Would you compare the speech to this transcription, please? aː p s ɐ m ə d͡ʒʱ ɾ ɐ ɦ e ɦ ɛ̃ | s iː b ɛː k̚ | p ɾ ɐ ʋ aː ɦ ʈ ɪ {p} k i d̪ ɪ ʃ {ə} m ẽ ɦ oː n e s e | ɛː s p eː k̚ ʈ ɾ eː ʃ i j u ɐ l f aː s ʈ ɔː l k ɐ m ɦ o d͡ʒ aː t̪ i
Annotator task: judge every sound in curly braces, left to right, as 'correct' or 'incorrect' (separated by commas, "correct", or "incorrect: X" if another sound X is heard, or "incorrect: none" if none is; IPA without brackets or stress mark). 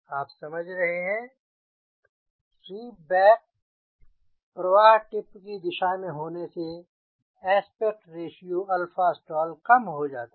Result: correct, incorrect: a